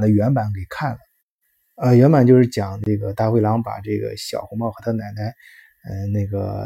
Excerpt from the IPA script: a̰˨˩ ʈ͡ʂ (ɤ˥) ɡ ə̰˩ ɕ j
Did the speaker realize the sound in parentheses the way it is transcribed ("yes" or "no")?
no